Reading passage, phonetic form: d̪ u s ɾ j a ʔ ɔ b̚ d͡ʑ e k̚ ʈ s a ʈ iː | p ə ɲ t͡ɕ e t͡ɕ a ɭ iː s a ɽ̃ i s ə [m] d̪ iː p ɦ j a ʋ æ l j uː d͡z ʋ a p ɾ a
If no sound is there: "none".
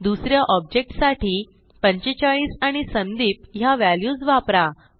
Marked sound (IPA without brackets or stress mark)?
n